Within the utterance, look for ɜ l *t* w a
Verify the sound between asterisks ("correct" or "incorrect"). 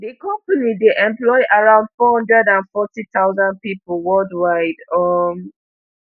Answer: incorrect